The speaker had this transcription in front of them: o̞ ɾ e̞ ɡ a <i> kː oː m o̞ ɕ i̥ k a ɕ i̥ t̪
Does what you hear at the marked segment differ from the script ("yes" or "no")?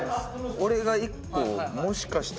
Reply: no